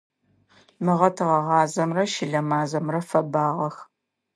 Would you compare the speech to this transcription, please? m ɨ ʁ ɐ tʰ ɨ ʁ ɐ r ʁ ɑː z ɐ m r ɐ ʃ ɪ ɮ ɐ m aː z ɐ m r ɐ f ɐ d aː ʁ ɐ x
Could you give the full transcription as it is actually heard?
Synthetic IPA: m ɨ ʁ ɐ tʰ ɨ ʁ ɐ ʁ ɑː z ɐ m r ɐ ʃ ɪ ɮ ɐ m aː z ɐ m r ɐ f ɐ b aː ʁ ɐ x

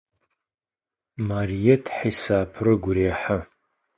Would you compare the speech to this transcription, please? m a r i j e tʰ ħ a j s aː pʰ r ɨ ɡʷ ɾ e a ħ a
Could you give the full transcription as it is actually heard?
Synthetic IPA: m a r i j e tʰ ħ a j s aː pʰ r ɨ ɡʷ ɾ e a ħ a

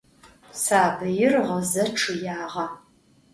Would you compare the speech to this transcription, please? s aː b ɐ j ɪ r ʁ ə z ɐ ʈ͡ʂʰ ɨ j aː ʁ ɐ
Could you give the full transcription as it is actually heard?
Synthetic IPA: s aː b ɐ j ɪ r ʁ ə z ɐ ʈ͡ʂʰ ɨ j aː ʁ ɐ

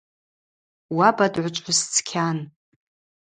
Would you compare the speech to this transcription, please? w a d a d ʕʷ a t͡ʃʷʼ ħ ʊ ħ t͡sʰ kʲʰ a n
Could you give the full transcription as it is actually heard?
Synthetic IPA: w a b a d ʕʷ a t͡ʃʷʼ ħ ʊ s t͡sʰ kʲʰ a n

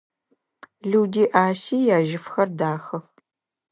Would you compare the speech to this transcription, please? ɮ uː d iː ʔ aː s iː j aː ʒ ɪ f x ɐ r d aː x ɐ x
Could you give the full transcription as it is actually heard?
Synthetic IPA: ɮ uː d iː ʔ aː s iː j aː ʒ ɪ f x ɐ r d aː x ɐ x

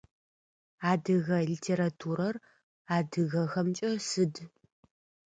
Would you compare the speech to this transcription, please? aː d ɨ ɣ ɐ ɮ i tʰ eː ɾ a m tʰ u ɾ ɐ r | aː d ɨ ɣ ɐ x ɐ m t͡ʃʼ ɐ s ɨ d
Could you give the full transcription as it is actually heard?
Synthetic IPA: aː d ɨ ɣ ɐ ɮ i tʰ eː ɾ a tʰ u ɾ ɐ r | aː d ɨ ɣ ɐ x ɐ m t͡ʃʼ ɐ s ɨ d

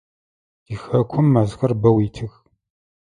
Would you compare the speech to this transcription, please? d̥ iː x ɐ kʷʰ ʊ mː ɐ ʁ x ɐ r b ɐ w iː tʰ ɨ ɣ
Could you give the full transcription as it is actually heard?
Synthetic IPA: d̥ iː x ɐ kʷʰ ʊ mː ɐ z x ɐ r b ɐ w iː tʰ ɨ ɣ

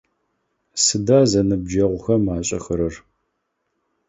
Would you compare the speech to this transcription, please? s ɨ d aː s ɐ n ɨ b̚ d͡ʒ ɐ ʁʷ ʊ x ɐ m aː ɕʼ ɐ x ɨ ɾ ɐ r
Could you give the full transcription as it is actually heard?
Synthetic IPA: s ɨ d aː z ɐ n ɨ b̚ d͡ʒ ɐ ʁʷ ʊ x ɐ m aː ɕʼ ɐ x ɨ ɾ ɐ r

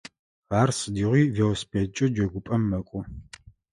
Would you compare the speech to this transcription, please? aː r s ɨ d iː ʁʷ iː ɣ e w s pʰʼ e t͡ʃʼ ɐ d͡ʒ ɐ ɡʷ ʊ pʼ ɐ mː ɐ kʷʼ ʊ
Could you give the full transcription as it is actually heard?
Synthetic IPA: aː r s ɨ d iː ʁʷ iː v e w s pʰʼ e t͡ʃʼ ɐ d͡ʒ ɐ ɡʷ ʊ pʼ ɐ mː ɐ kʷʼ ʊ

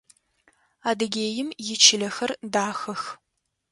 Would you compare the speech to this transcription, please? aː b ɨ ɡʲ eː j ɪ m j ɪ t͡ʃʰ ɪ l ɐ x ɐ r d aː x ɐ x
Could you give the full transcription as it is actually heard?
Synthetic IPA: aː d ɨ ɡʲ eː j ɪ m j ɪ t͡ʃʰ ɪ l ɐ x ɐ r d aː x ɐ x

